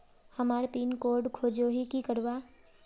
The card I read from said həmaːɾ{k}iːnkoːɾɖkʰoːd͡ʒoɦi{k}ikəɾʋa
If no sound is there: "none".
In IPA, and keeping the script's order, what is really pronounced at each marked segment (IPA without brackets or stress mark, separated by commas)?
p, k